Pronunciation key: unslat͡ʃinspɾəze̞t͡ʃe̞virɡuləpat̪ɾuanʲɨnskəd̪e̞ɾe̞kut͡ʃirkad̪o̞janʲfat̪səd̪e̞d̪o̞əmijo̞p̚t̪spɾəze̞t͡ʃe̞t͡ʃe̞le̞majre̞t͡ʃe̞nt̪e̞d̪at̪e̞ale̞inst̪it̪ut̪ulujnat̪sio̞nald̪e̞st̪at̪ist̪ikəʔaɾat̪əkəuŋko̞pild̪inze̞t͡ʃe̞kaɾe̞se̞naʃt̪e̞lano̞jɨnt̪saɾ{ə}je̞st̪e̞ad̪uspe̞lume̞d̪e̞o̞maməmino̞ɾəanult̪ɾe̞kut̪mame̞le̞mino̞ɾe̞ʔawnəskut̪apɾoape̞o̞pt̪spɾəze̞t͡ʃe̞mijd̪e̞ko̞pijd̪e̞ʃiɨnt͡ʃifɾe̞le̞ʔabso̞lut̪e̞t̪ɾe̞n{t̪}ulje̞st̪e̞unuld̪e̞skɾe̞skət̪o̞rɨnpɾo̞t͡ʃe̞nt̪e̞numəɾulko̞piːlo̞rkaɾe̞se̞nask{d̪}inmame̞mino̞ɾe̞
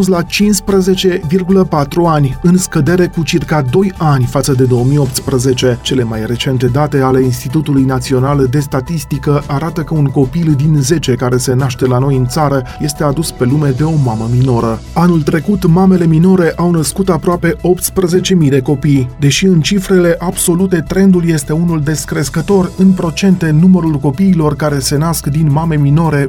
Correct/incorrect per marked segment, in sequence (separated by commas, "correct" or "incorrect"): correct, incorrect, correct